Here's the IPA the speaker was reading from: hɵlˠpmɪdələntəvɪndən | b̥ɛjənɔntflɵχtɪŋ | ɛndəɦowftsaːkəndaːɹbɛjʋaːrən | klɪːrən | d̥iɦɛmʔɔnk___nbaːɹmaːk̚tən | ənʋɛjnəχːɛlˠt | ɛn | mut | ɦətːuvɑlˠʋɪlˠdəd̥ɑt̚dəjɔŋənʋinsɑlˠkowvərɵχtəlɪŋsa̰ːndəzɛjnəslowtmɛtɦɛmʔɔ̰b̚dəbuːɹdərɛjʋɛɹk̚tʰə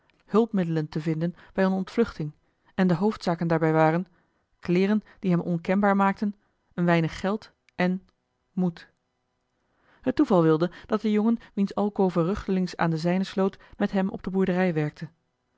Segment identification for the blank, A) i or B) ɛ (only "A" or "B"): B